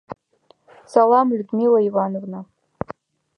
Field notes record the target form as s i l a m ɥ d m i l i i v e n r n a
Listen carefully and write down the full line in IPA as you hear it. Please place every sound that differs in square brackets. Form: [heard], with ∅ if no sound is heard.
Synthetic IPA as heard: s [a] l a m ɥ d m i l [a] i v [a] n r n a